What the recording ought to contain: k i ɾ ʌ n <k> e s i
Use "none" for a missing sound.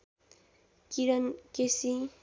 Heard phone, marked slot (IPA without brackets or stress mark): k